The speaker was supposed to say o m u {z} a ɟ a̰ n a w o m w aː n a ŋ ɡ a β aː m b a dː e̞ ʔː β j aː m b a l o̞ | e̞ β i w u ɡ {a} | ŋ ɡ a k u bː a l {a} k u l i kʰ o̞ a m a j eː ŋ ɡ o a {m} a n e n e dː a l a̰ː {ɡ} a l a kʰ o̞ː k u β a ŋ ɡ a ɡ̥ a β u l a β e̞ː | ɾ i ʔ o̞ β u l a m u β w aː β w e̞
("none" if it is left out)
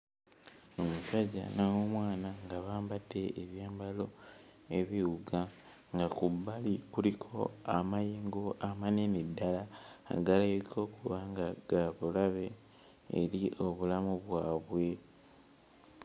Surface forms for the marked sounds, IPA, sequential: s, a, i, m, ɡ

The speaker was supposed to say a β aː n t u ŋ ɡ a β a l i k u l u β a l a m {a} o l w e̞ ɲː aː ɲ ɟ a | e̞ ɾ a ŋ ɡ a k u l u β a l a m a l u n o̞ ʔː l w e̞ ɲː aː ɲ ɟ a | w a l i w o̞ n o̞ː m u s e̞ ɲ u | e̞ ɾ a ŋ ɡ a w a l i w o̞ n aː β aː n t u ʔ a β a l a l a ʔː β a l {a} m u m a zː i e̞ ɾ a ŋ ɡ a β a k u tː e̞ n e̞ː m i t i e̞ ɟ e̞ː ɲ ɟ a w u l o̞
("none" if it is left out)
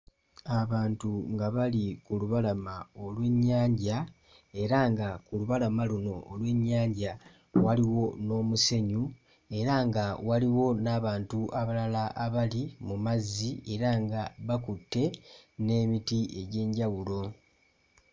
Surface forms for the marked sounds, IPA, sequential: a, i

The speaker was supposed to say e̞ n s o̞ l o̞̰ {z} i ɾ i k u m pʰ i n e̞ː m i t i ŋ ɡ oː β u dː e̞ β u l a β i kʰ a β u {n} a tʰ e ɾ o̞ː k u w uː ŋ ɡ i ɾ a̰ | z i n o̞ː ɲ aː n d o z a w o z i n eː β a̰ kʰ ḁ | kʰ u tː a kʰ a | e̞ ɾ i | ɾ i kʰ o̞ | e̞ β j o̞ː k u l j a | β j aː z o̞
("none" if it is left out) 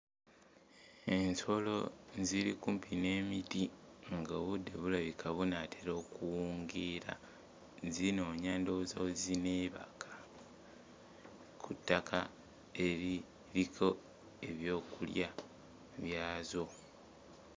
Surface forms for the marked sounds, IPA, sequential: z, n

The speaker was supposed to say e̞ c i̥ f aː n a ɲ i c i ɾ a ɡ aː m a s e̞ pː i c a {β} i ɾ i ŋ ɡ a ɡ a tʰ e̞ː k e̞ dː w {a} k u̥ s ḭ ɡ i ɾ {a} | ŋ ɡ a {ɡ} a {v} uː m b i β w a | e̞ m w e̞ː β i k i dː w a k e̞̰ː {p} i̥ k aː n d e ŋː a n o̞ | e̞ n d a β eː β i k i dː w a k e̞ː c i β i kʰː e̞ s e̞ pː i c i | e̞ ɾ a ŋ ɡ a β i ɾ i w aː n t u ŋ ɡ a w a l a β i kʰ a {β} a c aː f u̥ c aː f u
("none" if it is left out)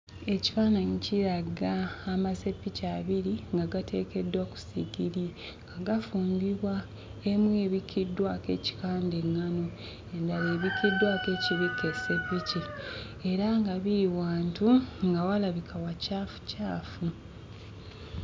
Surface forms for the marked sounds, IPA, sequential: β, a, i, ɡ, f, c, w

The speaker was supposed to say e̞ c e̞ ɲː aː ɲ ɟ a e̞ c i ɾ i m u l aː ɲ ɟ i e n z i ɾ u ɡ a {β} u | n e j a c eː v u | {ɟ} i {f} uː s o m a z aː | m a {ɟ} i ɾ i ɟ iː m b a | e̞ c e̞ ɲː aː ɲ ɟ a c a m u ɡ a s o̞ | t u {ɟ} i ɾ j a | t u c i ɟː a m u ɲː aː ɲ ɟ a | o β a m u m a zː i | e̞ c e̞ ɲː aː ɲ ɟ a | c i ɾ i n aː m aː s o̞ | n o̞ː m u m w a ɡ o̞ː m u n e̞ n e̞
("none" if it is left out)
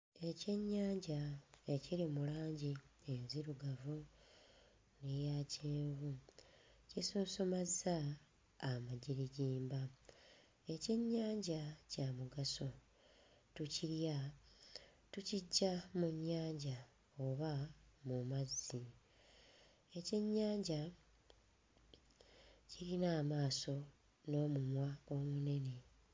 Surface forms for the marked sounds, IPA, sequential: v, c, s, ɟ, c

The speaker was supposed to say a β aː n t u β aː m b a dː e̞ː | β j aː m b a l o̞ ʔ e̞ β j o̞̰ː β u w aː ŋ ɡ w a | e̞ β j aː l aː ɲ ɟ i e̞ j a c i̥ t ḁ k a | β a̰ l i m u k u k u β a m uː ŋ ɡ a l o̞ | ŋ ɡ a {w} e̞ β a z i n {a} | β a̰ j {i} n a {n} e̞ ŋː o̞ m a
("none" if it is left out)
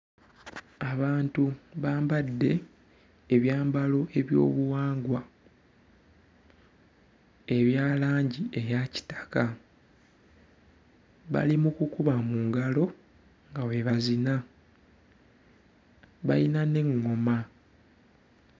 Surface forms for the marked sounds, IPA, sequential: w, a, i, n

